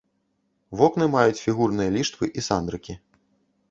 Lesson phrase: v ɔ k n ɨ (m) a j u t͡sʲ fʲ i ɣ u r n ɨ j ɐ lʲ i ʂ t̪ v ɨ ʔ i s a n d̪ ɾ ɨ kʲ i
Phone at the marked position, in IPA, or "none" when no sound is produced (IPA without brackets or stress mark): m